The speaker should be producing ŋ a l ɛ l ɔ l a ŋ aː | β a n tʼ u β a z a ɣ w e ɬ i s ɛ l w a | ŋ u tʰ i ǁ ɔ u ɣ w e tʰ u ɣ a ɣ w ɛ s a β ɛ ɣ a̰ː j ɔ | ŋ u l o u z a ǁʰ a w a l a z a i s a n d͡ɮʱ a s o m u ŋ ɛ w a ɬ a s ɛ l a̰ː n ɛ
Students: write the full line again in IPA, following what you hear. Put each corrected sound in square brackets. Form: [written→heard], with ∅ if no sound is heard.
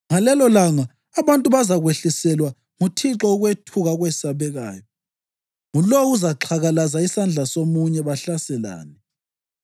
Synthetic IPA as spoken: ŋ a l ɛ l ɔ l a ŋ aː | β a n tʼ u β a z a ɣ w e ɬ i s ɛ l w a | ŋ u tʰ i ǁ ɔ u ɣ w e tʰ u ɣ a ɣ w ɛ s a β ɛ ɣ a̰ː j ɔ | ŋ u l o u z a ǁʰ a [w→ɣ] a l a z a i s a n d͡ɮʱ a s o m u [ŋ→ɲ] ɛ [w→β] a ɬ a s ɛ l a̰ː n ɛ